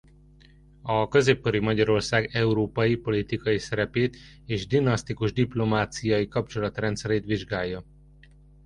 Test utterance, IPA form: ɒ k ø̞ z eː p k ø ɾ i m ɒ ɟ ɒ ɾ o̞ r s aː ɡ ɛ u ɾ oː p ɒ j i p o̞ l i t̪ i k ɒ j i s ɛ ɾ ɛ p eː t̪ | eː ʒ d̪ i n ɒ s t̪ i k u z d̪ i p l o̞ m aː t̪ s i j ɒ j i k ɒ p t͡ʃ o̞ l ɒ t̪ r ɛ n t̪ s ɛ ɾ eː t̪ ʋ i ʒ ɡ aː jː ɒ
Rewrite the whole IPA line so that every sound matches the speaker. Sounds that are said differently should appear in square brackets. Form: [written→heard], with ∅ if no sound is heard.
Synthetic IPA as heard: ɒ k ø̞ z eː p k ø ɾ i m ɒ ɟ ɒ ɾ o̞ r s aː ɡ ɛ u ɾ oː p ɒ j i p o̞ l i t̪ i k ɒ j i s ɛ ɾ ɛ p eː t̪ | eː ʒ d̪ i n ɒ s t̪ i k u [z→ʒ] d̪ i p l o̞ m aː t̪ s i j ɒ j i k ɒ p t͡ʃ o̞ l ɒ t̪ r ɛ n t̪ s ɛ ɾ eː t̪ ʋ i ʒ ɡ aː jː ɒ